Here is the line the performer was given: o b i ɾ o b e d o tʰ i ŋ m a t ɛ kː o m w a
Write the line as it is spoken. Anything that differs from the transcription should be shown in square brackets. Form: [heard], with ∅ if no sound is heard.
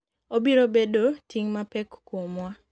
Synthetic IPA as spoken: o b i ɾ o b e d o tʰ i ŋ m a [p] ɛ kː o m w a